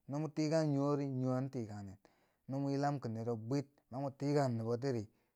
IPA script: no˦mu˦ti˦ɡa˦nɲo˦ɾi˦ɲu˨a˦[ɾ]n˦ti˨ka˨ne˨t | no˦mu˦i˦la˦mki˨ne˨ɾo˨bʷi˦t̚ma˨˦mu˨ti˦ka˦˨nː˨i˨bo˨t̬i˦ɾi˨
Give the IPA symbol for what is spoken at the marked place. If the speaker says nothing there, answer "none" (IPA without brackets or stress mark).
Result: none